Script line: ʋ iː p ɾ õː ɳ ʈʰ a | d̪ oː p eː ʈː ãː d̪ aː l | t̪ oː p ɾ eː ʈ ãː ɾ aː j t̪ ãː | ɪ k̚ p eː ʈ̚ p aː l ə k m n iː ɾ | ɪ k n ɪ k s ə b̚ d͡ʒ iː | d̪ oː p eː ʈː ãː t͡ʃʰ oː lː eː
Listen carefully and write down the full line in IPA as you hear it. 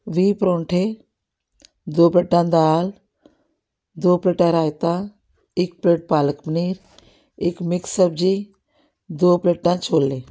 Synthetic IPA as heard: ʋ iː p ɾ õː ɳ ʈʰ e | d̪ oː p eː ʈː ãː d̪ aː l | d̪ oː p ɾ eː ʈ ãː ɾ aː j t̪ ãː | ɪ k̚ p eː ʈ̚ p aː l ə k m n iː ɾ | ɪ k m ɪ k s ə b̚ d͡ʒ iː | d̪ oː p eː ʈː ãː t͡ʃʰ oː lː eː

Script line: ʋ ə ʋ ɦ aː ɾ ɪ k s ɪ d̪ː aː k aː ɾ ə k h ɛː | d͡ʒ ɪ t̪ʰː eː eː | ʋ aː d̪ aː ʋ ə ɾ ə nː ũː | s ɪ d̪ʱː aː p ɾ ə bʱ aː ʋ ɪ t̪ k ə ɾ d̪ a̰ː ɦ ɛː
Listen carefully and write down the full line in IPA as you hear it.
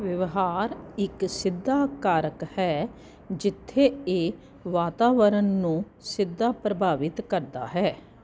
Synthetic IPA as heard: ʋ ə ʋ ɦ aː ɾ ɪ k s ɪ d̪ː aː k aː ɾ ə k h ɛː | d͡ʒ ɪ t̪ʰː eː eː | ʋ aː t̪ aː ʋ ə ɾ ə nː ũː | s ɪ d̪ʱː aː p ɾ ə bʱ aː ʋ ɪ t̪ k ə ɾ d̪ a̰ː ɦ ɛː

